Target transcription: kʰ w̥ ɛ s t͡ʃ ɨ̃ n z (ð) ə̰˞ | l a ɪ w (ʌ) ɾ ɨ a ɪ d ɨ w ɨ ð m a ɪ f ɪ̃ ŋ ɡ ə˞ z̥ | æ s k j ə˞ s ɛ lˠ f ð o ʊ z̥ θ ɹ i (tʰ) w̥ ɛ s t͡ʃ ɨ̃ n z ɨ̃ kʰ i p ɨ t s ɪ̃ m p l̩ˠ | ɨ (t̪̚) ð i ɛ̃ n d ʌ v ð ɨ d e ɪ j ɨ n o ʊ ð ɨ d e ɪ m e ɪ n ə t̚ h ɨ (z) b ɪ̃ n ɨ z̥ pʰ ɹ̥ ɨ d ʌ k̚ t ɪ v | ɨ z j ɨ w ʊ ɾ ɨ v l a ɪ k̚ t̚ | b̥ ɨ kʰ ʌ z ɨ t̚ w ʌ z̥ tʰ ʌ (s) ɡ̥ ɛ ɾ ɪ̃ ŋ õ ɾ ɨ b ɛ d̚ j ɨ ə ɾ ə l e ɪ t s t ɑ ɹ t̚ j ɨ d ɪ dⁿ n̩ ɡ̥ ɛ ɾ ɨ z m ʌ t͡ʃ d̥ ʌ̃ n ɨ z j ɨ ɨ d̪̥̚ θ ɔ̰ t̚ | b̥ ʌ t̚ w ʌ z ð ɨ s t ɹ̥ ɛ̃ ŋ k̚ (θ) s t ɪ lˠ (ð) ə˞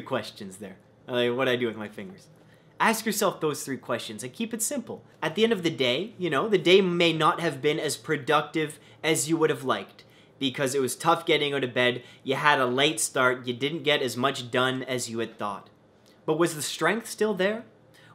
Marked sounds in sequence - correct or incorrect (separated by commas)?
correct, correct, incorrect, correct, incorrect, incorrect, correct, correct